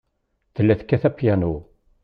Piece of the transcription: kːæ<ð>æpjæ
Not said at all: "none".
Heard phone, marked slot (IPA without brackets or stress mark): θ